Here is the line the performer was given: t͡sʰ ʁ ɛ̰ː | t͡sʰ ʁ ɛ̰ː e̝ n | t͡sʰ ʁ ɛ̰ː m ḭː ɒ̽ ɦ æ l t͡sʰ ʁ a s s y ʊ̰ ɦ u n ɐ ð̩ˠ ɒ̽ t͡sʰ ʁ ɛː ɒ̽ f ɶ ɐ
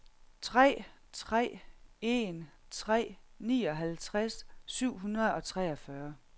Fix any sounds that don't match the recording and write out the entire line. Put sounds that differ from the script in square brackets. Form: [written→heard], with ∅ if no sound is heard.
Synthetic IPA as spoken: t͡sʰ ʁ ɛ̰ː | t͡sʰ ʁ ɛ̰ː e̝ n | t͡sʰ ʁ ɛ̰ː [m→n] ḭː ɒ̽ ɦ æ l t͡sʰ ʁ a s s y ʊ̰ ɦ u n ɐ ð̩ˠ ɒ̽ t͡sʰ ʁ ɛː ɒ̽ f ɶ ɐ